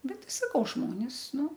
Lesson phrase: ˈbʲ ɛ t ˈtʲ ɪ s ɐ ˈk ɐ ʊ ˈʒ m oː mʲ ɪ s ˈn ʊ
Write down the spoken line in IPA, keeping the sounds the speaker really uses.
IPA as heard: ˈbʲ ɛ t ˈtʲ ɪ s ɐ ˈk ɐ ʊ ˈʒ m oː nʲ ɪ s ˈn ʊ